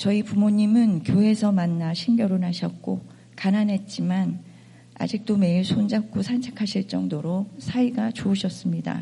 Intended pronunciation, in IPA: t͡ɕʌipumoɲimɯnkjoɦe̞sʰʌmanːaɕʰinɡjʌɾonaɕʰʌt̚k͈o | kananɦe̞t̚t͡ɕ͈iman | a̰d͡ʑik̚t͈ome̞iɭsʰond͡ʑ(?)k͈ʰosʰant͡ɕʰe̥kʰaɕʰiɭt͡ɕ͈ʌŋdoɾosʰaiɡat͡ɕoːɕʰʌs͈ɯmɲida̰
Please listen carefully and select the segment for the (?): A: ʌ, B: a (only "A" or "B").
B